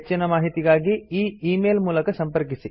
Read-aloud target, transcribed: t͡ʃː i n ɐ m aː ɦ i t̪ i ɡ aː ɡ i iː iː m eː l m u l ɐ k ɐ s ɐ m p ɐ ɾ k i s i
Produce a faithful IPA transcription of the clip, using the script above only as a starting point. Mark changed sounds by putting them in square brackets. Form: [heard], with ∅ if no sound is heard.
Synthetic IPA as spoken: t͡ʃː i n ɐ m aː ɦ i t̪ i ɡ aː ɡ i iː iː m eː l m [uː] l ɐ k ɐ s ɐ m p ɐ ɾ k i s i